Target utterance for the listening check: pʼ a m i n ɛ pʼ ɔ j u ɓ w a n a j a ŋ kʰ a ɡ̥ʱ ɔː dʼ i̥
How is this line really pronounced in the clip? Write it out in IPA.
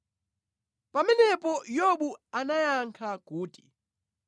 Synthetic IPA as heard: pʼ a m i n ɛ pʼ ɔ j o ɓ u a n a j a ŋ kʰ a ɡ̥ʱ uː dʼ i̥

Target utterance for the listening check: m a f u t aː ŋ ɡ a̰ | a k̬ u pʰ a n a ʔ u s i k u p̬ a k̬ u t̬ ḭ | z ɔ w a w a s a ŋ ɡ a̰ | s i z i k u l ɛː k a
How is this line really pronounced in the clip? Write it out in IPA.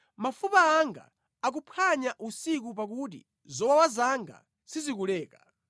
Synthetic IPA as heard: m a f u p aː ŋ ɡ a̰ | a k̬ u pʰ a ɲ a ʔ u s i k u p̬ a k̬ u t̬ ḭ | z ɔ w a w a z a ŋ ɡ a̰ | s i z i k u l ɛː k a

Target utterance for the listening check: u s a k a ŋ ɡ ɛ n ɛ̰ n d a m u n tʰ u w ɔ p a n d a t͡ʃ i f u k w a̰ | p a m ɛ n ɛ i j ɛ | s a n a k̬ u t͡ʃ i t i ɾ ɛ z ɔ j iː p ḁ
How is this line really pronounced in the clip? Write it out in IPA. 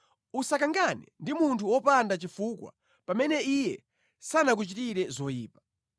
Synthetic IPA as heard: u s a k a ŋ ɡ a n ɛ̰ n d i m u n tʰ u w ɔ p a n d a t͡ʃ i f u k w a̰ | p a m ɛ n ɛ i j ɛ | s a n a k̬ u t͡ʃ i t i ɾ ɛ z ɔ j iː p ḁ

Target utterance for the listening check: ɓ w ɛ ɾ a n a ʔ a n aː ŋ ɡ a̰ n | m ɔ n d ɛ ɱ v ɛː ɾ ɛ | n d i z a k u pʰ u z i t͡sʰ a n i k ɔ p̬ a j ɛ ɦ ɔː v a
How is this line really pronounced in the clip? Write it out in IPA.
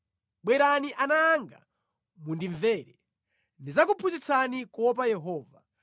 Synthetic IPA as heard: ɓ w ɛ ɾ a n i ʔ a n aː ŋ ɡ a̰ | m u n d i ɱ v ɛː ɾ ɛ | n d i z a k u pʰ u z i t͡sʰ a n i k ɔ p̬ a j ɛ ɦ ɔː v a

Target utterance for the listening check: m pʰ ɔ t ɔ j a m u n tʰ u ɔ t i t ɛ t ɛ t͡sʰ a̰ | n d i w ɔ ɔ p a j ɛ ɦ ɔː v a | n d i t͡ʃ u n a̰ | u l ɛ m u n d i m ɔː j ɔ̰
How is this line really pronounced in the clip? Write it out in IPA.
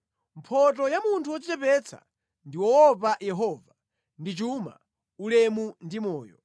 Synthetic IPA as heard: m pʰ ɔ t ɔ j a m u n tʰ u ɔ t͡ʃ i t͡ʃ ɛ p ɛ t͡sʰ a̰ | n d i w ɔ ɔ p a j ɛ ɦ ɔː v a | n d i t͡ʃ u m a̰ | u l ɛ m u n d i m ɔː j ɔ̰

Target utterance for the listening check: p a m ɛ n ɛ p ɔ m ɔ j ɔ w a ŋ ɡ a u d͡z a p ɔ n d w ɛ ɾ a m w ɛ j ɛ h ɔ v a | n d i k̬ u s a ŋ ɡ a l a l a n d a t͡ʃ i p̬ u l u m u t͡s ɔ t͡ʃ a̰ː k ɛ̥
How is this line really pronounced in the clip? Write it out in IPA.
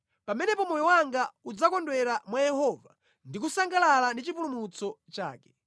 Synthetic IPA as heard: p a m ɛ n ɛ p ɔ m ɔ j ɔ w a ŋ ɡ a u d͡z a k ɔ n d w ɛ ɾ a m w a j ɛ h ɔ v a | n d i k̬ u s a ŋ ɡ a l a l a n d i t͡ʃ i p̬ u l u m u t͡s ɔ t͡ʃ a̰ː k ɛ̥

